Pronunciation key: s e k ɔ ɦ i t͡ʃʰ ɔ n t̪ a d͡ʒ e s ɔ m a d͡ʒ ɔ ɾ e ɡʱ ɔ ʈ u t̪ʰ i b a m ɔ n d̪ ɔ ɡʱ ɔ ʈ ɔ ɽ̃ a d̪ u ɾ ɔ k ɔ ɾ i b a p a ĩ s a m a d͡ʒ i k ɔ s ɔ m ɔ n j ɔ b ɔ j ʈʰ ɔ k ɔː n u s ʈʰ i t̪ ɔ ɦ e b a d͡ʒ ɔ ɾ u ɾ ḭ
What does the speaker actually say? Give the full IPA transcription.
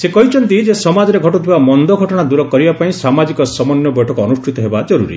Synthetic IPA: s e k ɔ ɦ i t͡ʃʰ ɔ n t̪ i d͡ʒ e s ɔ m a d͡ʒ ɔ ɾ e ɡʱ ɔ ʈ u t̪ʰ i b a m ɔ n d̪ ɔ ɡʱ ɔ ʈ ɔ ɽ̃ a d̪ u ɾ ɔ k ɔ ɾ i b a p a ĩ s a m a d͡ʒ i k ɔ s ɔ m ɔ n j ɔ b ɔ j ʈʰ ɔ k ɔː n u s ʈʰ i t̪ ɔ ɦ e b a d͡ʒ ɔ ɾ u ɾ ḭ